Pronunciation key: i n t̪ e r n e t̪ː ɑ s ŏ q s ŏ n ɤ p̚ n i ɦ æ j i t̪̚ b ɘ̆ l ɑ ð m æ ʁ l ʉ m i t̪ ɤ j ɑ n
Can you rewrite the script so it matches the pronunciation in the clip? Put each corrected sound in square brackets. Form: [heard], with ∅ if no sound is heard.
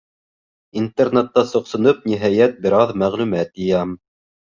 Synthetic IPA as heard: i n t̪ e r n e t̪ː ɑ s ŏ q s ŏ n ɤ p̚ n i ɦ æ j [æ] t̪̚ b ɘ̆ [ɾ] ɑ ð m æ ʁ l ʉ m [æ] t̪ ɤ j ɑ [m]